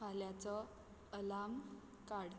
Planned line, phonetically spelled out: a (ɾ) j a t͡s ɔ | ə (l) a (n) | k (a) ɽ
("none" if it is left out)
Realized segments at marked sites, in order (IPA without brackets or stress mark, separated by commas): l, l, m, a